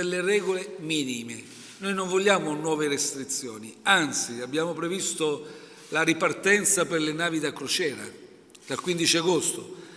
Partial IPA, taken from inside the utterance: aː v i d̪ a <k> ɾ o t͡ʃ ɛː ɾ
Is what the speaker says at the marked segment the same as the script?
yes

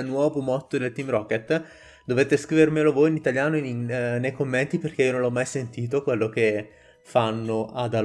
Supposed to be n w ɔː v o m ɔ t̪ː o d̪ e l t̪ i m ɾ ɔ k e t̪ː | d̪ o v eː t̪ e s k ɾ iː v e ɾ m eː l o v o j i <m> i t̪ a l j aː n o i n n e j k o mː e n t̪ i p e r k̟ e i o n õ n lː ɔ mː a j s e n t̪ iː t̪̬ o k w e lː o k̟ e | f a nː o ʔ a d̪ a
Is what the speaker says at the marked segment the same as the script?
no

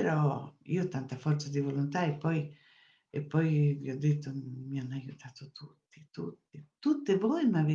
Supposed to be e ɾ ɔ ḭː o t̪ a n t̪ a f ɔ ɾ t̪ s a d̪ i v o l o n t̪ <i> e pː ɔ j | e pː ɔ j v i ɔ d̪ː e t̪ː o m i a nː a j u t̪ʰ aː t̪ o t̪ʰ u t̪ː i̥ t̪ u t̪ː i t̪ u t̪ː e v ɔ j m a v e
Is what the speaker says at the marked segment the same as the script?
no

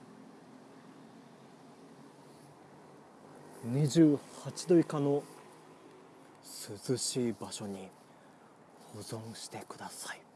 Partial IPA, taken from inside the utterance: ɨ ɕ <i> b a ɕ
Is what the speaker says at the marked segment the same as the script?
no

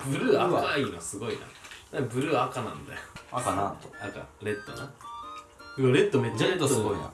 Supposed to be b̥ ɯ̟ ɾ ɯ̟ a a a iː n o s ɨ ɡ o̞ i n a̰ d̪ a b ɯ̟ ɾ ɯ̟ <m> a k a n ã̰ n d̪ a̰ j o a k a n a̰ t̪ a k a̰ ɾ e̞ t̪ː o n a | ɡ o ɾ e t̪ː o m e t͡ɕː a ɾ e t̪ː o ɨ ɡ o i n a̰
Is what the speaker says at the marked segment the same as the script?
no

